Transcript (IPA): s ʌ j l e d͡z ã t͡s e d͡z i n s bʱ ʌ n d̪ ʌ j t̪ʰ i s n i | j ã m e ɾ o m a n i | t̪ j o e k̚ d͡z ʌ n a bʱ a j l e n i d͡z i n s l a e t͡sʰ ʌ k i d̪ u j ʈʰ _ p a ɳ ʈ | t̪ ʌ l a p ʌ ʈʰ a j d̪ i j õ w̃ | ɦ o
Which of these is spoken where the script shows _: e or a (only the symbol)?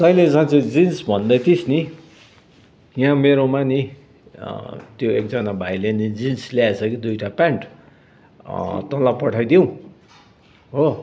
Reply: a